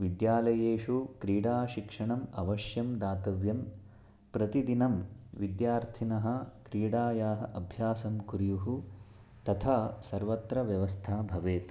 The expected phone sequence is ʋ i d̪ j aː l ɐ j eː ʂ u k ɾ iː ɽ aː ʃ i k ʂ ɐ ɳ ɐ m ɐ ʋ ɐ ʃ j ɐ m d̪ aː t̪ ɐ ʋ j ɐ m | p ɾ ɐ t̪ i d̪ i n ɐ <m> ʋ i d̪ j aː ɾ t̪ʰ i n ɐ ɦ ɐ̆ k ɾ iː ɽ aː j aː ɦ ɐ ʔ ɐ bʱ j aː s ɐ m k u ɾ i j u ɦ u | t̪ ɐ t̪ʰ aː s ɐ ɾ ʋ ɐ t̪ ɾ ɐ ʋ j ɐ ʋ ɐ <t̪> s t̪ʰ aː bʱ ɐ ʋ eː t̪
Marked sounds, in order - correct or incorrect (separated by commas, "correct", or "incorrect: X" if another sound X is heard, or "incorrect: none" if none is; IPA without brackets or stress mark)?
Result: correct, incorrect: none